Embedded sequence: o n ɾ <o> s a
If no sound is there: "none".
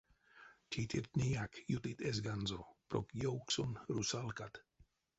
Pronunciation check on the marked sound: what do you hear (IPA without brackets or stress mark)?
u